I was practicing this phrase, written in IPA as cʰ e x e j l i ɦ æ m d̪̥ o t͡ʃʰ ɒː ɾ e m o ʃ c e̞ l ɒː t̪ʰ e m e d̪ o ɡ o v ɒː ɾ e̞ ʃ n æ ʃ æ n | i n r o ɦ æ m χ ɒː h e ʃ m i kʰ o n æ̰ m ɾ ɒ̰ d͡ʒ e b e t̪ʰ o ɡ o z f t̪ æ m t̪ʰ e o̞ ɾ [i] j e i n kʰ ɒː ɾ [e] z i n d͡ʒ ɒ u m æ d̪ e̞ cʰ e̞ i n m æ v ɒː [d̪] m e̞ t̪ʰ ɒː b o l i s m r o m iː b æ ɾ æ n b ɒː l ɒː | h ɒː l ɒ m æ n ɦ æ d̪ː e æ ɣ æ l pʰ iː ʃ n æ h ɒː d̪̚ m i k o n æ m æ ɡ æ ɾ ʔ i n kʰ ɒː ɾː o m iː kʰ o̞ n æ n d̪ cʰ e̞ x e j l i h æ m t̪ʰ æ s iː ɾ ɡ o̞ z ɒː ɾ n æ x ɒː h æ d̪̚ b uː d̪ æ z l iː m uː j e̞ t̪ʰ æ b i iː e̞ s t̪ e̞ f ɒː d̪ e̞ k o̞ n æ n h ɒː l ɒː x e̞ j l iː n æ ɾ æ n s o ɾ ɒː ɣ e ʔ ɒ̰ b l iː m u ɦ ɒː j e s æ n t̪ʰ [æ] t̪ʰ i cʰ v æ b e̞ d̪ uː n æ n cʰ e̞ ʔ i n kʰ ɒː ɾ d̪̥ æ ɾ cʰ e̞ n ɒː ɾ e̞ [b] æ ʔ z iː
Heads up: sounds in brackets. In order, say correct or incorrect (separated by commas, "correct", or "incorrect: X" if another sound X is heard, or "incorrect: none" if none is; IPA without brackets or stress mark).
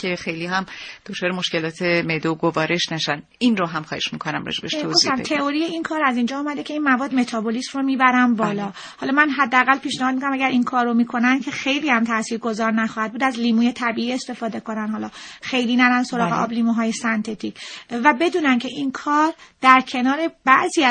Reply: correct, incorrect: æ, correct, incorrect: e, correct